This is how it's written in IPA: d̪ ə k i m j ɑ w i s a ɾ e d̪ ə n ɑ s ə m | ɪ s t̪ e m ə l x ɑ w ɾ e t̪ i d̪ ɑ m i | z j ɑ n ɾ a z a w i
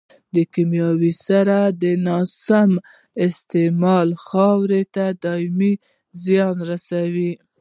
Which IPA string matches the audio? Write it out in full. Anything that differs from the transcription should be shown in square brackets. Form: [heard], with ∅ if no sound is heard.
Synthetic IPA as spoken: d̪ ə k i m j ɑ w i s a ɾ [a] d̪ ə n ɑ s [a] m | ɪ s t̪ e m [ɑ] l x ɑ w ɾ e t̪ [a] d̪ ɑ m i | z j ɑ n ɾ a [s] a w i